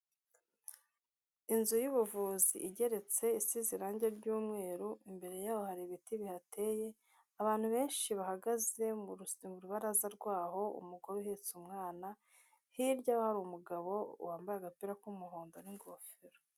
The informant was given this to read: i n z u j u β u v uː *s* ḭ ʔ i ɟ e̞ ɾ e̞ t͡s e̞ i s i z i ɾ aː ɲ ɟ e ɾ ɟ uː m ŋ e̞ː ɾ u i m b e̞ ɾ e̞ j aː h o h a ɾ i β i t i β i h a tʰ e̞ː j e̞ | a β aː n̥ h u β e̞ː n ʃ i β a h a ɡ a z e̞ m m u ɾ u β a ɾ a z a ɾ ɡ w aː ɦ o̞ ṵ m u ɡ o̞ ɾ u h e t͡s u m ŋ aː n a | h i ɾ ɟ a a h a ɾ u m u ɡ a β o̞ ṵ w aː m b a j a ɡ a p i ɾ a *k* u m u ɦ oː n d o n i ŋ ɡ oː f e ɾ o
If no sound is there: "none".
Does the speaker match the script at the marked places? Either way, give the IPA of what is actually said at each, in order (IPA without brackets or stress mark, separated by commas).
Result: z, k